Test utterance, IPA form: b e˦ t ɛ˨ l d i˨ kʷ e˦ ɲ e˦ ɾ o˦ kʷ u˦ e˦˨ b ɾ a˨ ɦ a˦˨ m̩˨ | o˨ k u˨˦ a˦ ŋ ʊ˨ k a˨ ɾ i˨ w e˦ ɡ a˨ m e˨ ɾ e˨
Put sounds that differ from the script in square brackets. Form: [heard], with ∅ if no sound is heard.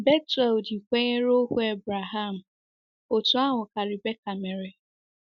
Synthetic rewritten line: b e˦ t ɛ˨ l d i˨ kʷ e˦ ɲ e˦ ɾ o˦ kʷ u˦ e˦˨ b ɾ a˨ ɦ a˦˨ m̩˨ | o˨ [t] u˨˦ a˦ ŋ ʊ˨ k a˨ ɾ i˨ [b] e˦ [k] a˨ m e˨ ɾ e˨